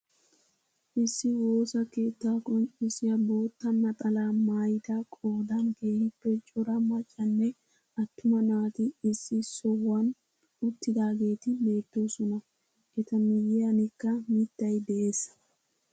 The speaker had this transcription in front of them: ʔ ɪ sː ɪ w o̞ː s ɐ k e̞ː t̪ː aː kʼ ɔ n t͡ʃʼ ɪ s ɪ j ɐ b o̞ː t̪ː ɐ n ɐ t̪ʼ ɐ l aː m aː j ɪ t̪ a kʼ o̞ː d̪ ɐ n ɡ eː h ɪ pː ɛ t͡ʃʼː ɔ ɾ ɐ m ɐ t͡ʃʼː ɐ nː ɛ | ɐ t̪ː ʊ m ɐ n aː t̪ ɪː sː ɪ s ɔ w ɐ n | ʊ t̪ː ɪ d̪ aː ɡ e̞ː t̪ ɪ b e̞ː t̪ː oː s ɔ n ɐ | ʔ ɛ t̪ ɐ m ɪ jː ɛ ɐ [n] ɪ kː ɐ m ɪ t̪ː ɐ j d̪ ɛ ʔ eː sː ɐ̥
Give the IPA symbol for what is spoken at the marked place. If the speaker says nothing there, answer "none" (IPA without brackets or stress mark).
n